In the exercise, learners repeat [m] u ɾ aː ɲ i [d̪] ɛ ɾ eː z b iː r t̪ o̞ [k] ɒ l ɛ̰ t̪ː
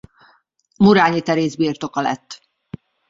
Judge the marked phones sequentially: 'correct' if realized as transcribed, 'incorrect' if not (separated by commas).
correct, incorrect, correct